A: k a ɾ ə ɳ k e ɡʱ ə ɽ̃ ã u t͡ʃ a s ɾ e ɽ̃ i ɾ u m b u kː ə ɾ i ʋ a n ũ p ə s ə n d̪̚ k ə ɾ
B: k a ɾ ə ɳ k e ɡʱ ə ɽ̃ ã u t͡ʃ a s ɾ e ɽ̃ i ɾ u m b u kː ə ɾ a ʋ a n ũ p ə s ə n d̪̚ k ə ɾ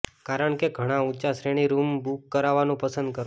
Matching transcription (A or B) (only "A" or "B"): B